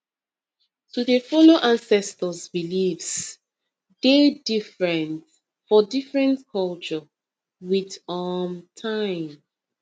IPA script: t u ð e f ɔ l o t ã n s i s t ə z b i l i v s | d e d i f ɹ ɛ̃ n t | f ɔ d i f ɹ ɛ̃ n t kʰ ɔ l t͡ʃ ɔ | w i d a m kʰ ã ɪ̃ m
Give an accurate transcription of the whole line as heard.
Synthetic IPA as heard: t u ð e f ɔ l o ʔ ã n s ɛ s t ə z b i l i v s | d e d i f ɹ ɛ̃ n t | f ɔ d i f ɹ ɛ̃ n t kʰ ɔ l t͡ʃ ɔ | w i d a m tʰ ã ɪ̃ m

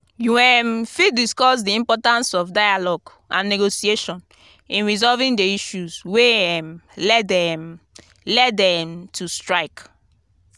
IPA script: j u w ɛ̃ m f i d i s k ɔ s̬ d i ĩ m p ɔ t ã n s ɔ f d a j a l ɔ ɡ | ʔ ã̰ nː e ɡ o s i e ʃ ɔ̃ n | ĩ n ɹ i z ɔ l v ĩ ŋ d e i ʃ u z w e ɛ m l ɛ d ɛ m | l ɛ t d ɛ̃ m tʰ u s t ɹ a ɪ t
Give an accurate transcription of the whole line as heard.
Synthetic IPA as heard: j u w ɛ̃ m f i d i s k ɔ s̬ d i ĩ m p ɔ t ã n s ɔ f d a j a l ɔ ɡ | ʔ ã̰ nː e ɡ o s i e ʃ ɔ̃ n | ĩ n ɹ i z ɔ l v ĩ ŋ d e i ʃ u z w e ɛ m l ɛ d ɛ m | l ɛ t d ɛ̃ m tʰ u s t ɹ a ɪ k

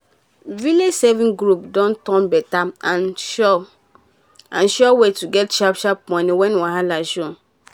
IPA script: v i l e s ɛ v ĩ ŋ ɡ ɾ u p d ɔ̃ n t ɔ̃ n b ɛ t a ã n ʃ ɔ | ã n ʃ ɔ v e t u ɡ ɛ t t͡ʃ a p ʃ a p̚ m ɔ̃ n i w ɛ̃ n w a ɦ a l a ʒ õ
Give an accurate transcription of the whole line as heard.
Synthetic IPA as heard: v i l e s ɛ v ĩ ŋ ɡ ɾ u p d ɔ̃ n t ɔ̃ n b ɛ t a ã n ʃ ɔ | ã n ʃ ɔ w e t u ɡ ɛ t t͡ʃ a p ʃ a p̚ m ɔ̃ n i w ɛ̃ n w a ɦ a l a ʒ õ

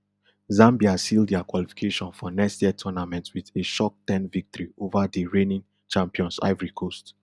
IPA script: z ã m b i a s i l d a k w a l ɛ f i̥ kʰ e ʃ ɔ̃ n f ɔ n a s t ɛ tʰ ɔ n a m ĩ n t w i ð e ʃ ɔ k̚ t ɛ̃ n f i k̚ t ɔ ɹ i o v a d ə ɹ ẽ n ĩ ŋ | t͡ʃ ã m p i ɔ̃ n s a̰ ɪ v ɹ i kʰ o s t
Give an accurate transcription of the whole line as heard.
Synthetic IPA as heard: z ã m b i a s i l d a k w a l i f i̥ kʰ e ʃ ɔ̃ n f ɔ n ɛ s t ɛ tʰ ɔ n a m ɛ̃ n t w i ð e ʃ ɔ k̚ t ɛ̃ n v i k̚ t ɔ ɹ i o v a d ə ɹ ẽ n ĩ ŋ | t͡ʃ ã m p i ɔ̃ n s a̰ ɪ v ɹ i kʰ o s t

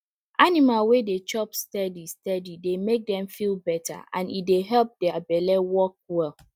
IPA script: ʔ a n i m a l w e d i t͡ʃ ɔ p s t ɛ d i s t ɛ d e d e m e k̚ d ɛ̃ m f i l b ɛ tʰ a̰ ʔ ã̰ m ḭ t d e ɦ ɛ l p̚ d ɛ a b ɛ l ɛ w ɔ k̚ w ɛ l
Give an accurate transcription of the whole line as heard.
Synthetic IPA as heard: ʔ a n i m a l w e d e t͡ʃ ɔ p s t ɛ d i s t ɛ d i d e m e k̚ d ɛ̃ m f i l b ɛ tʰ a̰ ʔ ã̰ n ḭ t d e ɦ ɛ l p̚ d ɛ a b ɛ l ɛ w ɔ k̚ w ɛ l

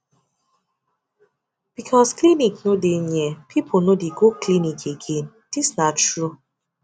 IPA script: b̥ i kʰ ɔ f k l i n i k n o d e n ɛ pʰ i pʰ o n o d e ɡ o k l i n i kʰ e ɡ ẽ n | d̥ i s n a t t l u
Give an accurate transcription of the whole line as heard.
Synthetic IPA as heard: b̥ i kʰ ɔ s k l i n i k n o d e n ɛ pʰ i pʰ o n o d e ɡ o k l i n i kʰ e ɡ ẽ n | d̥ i s n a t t ɹ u

